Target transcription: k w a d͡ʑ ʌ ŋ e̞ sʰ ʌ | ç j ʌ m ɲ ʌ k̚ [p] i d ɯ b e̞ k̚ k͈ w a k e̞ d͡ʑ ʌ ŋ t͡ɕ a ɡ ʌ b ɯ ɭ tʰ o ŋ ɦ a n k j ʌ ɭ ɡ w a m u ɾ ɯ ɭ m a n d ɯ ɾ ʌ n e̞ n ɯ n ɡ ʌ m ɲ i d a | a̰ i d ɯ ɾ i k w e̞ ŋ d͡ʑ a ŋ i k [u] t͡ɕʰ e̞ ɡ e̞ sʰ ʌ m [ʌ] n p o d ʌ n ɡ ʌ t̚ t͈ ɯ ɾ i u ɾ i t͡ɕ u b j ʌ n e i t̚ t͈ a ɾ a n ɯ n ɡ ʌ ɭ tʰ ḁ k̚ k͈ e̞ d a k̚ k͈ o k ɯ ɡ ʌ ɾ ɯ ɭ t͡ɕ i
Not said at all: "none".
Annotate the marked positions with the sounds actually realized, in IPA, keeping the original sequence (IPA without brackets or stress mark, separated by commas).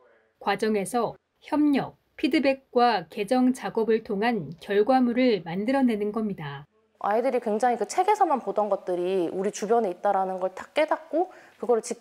pʰ, ɯ, a